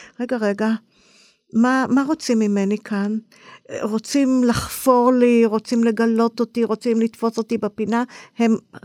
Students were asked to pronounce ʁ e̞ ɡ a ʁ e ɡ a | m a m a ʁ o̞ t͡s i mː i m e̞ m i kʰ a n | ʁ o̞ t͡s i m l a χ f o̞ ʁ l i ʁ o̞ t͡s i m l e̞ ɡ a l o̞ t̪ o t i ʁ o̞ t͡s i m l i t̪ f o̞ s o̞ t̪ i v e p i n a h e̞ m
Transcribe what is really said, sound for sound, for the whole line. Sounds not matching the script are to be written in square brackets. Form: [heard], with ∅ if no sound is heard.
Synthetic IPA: ʁ e̞ ɡ a ʁ e ɡ a | m a m a ʁ o̞ t͡s i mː i m e̞ [n] i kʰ a n | ʁ o̞ t͡s i m l a χ f o̞ ʁ l i ʁ o̞ t͡s i m l e̞ ɡ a l o̞ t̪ o t i ʁ o̞ t͡s i m l i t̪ f o̞ s o̞ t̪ i [b] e p i n a h e̞ m